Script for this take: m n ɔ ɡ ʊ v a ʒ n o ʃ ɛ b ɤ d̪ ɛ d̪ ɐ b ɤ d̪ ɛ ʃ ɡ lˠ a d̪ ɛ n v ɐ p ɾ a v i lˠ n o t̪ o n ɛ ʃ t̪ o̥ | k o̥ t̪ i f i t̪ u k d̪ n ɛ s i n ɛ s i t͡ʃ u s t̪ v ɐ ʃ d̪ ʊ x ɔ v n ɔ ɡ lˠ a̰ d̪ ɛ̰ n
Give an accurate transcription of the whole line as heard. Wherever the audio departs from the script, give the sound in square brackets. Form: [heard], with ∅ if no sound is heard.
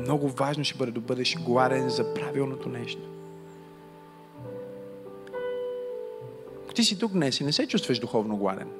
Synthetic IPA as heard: m n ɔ ɡ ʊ v a ʒ n o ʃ ɛ b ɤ d̪ ɛ d̪ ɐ b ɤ d̪ ɛ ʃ ɡ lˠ a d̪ ɛ n [z] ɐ p ɾ a v i lˠ n o t̪ o n ɛ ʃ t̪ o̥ | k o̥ t̪ i [s] i t̪ u k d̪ n ɛ s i n ɛ s [ɛ] t͡ʃ u s t̪ v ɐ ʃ d̪ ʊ x ɔ v n [o] ɡ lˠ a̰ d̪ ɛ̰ n